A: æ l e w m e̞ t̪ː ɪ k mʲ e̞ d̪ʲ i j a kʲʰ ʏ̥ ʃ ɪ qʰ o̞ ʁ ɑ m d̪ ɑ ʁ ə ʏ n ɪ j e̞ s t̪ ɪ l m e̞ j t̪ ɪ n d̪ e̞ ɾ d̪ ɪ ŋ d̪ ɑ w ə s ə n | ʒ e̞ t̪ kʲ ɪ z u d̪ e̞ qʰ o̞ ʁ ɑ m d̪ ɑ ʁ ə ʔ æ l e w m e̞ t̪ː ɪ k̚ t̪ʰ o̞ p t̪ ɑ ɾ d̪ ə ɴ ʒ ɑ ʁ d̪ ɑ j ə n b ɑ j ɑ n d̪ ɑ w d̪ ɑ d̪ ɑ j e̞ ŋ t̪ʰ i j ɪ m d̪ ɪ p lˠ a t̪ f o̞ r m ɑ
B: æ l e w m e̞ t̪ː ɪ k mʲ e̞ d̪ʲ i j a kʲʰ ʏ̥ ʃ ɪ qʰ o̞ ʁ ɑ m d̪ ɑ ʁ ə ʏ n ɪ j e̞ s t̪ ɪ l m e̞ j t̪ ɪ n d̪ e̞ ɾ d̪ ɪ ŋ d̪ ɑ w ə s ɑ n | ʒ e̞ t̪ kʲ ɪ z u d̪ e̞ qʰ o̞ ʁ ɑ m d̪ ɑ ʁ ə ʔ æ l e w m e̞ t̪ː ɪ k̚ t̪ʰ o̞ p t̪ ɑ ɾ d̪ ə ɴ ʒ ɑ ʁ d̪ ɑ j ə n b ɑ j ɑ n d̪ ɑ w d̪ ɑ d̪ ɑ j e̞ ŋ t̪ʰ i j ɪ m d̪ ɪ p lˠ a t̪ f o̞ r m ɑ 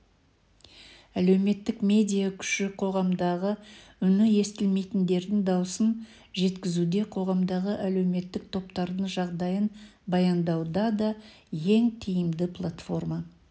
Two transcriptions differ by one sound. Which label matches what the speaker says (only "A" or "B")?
A